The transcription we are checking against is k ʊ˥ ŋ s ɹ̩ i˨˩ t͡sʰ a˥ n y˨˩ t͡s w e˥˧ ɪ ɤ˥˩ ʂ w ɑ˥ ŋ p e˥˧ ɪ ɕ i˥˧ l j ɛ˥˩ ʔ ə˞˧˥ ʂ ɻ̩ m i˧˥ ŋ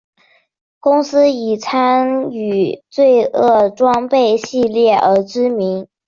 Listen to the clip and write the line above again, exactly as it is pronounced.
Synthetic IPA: k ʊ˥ ŋ s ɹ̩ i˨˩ t͡sʰ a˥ n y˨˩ t͡s w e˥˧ ɪ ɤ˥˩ ʈ͡ʂ w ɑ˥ ŋ p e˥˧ ɪ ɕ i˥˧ l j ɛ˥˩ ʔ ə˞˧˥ ʈ͡ʂ ɻ̩ m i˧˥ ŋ